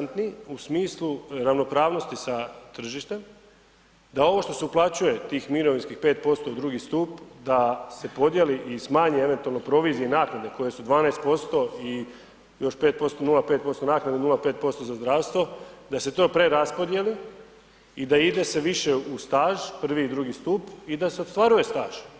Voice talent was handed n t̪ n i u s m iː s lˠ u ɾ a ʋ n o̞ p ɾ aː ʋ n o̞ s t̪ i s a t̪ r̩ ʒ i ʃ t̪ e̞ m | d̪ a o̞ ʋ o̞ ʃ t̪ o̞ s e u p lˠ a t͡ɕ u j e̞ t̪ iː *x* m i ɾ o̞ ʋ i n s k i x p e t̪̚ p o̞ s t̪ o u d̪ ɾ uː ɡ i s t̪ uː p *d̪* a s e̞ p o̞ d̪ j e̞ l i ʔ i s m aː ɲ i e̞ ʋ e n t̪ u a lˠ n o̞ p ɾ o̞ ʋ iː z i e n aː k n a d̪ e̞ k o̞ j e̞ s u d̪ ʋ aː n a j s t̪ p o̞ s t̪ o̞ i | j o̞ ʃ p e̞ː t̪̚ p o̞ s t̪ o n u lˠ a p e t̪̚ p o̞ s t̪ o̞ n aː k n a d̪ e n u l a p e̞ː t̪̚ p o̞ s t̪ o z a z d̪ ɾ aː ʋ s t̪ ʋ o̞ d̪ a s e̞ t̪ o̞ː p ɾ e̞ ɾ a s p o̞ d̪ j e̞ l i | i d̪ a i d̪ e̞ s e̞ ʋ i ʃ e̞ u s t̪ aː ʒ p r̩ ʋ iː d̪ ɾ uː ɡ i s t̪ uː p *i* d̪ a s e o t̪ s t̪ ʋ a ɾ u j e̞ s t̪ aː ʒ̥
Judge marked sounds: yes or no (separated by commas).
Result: yes, yes, yes